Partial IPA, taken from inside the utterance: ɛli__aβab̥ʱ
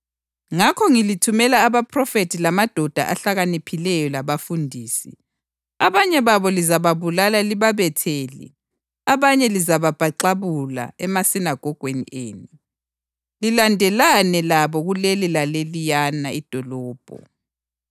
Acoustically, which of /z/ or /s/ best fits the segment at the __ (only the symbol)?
z